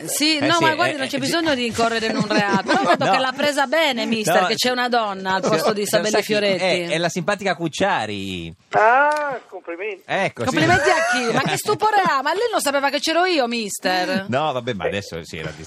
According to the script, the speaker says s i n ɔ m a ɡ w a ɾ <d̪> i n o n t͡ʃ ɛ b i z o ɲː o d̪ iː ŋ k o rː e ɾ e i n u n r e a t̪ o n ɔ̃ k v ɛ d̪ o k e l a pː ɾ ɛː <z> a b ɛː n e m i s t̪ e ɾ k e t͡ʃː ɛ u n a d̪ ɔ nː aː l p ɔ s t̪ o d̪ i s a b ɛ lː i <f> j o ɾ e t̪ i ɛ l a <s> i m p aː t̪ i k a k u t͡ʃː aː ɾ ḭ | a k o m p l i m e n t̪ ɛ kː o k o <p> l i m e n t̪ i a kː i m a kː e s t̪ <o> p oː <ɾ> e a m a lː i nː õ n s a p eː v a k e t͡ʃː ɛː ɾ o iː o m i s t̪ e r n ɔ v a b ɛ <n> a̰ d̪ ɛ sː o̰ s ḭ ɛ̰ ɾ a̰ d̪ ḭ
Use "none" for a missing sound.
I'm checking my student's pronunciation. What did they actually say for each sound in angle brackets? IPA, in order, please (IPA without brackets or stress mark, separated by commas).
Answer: d̪, z, f, s, p, u, ɾ, m